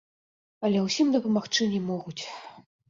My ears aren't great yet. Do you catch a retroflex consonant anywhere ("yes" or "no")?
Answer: yes